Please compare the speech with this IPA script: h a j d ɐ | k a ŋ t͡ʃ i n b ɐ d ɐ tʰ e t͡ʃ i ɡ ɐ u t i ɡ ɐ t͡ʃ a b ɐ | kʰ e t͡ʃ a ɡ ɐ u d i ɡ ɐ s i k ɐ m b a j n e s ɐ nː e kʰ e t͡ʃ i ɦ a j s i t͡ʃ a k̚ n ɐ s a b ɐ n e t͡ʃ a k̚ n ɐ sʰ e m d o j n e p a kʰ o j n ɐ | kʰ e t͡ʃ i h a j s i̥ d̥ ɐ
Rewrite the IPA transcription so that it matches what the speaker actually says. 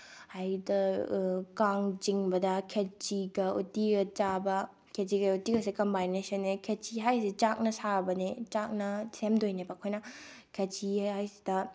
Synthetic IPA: h a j d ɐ | k a ŋ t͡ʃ i ŋ b ɐ d ɐ kʰ e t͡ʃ i ɡ ɐ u t i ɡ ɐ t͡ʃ a b ɐ | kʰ e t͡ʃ i ɡ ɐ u t i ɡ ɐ s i k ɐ m b a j n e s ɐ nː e kʰ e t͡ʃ i ɦ a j s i t͡ʃ a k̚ n ɐ s a b ɐ n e t͡ʃ a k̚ n ɐ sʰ e m d o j n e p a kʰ o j n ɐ | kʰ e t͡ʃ i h a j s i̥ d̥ ɐ